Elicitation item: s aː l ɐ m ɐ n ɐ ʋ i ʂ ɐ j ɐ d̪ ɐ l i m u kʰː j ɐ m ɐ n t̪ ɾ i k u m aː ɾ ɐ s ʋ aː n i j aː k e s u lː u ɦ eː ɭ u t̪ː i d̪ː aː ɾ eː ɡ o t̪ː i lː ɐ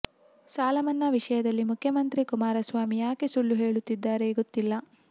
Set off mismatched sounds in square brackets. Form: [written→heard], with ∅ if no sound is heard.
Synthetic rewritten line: s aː l ɐ m ɐ [n→nː] ɐ ʋ i ʂ ɐ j ɐ d̪ ɐ [l→lː] i m u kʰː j ɐ m ɐ n t̪ ɾ i k u m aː ɾ ɐ s ʋ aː [n→m] i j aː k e s u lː u ɦ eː ɭ u t̪ː i d̪ː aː ɾ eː ɡ o t̪ː i lː ɐ